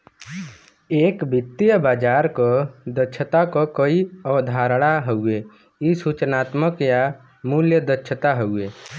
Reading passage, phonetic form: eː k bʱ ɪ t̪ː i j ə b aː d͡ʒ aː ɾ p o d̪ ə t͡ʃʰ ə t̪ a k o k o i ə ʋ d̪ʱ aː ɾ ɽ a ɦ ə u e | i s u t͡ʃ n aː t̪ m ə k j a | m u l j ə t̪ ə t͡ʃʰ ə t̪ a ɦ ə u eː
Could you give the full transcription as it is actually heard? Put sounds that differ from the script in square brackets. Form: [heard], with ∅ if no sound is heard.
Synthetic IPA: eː k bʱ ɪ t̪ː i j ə b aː d͡ʒ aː ɾ [k] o d̪ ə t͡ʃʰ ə t̪ a k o k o i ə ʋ d̪ʱ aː ɾ ɽ a ɦ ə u e | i s u t͡ʃ n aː t̪ m ə k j a | m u l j ə [d̪] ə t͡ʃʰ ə t̪ a ɦ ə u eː